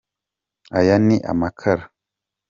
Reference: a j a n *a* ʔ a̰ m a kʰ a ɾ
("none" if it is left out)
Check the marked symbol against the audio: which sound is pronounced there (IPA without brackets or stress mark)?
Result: i